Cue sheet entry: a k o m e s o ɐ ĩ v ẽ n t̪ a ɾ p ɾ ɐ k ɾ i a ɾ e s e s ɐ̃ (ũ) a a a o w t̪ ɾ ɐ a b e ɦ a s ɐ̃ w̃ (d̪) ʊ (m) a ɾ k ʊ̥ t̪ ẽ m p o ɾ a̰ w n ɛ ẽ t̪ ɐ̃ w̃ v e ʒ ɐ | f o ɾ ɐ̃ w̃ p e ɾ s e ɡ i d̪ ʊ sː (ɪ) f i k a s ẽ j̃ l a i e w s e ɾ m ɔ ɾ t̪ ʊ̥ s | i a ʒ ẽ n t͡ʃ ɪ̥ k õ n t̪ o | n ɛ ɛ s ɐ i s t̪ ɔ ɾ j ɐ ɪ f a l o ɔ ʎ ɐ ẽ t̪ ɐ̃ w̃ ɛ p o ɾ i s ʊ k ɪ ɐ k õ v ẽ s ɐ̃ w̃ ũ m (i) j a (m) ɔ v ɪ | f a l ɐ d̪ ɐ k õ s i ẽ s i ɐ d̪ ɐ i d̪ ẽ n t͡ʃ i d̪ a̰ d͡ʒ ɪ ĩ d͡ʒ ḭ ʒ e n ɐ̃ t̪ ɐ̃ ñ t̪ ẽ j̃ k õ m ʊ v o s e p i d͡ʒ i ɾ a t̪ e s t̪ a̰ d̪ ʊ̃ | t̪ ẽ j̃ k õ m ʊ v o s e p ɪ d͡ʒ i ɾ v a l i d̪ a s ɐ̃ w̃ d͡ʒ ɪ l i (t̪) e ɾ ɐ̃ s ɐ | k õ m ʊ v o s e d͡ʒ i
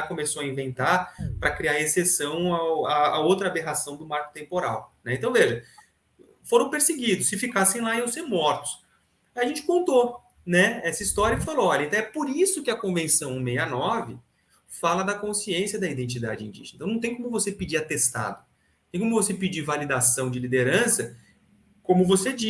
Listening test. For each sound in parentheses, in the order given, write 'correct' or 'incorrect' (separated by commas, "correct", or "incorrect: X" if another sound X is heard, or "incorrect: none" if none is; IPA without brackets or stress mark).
incorrect: w̃, correct, correct, correct, incorrect: e, incorrect: n, incorrect: d̪